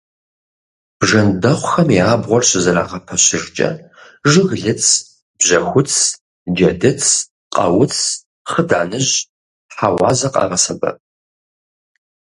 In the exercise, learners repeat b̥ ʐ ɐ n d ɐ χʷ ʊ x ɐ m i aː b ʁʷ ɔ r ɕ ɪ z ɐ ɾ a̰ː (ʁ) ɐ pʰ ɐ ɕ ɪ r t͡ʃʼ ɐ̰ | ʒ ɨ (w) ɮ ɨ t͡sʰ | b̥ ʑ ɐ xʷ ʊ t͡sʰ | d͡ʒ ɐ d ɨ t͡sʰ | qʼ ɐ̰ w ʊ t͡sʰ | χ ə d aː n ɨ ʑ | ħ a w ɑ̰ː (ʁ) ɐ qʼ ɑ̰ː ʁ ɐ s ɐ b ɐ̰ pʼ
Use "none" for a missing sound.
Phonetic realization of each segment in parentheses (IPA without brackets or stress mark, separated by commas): ʁ, ɣ, z